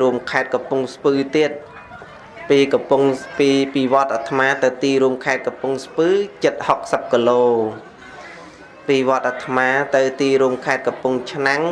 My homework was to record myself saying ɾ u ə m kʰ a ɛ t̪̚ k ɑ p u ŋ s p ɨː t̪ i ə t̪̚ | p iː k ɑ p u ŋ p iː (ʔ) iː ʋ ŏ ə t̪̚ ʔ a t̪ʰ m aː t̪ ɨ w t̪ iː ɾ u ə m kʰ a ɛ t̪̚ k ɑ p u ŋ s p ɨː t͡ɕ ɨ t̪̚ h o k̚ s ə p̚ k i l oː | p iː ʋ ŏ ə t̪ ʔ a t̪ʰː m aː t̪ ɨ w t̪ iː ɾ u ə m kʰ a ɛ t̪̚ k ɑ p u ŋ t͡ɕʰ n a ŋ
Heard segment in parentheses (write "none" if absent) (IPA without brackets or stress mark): p